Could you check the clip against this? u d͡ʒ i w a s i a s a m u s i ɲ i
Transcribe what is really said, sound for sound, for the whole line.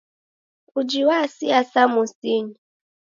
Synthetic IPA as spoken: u d͡ʒ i w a s i a s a m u s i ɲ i